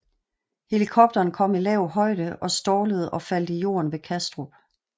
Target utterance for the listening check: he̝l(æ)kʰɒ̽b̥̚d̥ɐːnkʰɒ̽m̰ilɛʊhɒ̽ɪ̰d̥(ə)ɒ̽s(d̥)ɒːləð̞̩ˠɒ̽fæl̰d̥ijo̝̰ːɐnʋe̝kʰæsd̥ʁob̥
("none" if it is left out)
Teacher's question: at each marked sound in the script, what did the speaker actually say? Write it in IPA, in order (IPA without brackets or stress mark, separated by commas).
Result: i, ə, d̥